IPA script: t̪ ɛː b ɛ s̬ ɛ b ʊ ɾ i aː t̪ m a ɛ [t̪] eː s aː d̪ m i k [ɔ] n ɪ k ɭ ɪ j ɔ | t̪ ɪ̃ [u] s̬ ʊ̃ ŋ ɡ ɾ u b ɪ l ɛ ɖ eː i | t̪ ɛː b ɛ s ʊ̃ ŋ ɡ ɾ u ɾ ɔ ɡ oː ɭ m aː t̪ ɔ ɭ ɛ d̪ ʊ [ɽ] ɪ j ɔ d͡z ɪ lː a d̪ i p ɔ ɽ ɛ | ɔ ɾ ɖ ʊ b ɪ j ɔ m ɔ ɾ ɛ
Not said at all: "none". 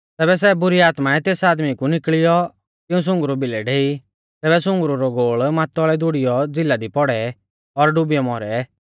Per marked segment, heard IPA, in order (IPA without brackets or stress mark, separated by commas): t̪, u, ũ, ɽ